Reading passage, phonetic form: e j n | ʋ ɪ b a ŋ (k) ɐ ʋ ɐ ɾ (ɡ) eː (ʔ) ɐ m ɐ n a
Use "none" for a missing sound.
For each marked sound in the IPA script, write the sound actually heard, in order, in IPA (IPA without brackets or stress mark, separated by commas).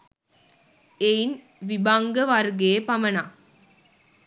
ɡ, ɡ, p